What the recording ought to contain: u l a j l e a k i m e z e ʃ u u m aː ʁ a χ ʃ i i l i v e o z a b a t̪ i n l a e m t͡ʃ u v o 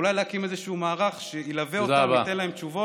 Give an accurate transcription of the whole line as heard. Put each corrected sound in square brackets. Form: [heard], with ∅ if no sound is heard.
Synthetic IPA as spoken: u l a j l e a k i m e z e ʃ u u m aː ʁ a χ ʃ [e] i l [a] v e o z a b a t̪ [e] n l a e m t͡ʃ u v o

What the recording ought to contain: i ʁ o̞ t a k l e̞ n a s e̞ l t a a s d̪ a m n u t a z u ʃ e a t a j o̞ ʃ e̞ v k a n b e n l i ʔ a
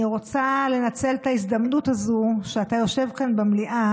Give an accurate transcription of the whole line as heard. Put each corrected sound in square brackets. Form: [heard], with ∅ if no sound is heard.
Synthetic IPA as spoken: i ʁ o̞ [t͡s] a [∅] l e̞ n a [t͡s] e̞ l t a [i] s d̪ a m n u t a z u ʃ e a t a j o̞ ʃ e̞ v k a n b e [m] l i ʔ a

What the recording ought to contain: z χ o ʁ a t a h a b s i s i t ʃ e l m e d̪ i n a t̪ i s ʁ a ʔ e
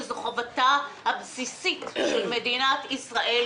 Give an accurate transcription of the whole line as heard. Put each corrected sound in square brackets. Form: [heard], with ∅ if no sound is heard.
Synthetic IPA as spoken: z χ o [v] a t a h a b s i s i t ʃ e l m e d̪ i n a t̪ i s ʁ a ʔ e

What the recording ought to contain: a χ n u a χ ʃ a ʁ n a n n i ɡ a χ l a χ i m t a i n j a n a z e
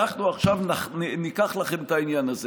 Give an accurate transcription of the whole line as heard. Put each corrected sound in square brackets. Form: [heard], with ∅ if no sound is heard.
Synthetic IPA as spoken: a χ n u a χ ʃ a [v] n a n n i [k] a χ l a χ [e] m t a i n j a n a z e

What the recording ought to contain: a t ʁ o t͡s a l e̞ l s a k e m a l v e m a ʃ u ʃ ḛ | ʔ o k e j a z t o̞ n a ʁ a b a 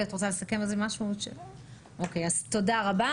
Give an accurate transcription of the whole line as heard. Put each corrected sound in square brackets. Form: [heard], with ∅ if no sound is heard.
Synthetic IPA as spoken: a t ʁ o t͡s a l e̞ [∅] s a k e m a l [z] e m a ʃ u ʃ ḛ | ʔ o k e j a z t o̞ [d] a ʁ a b a

